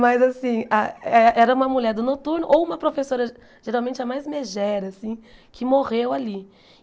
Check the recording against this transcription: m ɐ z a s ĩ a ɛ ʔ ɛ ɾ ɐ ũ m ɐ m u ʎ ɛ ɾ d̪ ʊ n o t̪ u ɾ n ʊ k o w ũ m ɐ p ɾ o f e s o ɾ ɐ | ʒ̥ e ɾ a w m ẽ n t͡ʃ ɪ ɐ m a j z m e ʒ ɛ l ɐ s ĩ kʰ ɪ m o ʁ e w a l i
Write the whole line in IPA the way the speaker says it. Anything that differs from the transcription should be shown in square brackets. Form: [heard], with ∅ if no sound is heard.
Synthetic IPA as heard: m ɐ z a s ĩ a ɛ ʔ ɛ ɾ ɐ ũ m ɐ m u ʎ ɛ ɾ d̪ ʊ n o t̪ u ɾ n ʊ [ʔ] o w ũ m ɐ p ɾ o f e s o ɾ ɐ | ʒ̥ e ɾ a w m ẽ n t͡ʃ ɪ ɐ m a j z m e ʒ ɛ [ɾ] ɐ s ĩ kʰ ɪ m o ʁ e w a l i